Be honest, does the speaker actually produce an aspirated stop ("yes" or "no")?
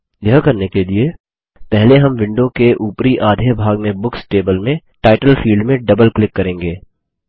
no